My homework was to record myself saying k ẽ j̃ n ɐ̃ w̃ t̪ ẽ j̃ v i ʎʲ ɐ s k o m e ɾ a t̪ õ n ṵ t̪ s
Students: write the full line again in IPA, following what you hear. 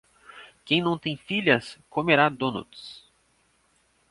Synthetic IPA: k ẽ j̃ n ɐ̃ w̃ t̪ ẽ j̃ f i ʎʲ ɐ s k o m e ɾ a d̪ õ n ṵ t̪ s